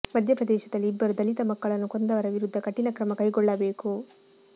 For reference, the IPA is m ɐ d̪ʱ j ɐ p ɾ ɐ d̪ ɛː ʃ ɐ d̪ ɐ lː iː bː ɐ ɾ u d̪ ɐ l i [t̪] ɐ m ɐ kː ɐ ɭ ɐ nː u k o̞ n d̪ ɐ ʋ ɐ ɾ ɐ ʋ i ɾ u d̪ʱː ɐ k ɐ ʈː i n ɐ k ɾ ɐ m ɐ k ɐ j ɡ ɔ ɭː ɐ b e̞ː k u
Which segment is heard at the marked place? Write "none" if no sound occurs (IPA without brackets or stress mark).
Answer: t̪